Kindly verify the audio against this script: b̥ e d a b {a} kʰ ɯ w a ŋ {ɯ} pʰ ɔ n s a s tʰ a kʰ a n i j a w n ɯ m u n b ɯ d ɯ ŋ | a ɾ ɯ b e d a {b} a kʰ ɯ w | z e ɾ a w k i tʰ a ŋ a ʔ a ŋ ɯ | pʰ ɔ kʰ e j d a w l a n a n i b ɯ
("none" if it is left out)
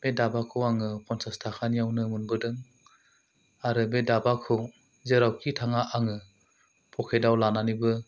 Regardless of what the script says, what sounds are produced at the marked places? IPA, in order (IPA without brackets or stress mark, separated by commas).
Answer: a, ɯ, b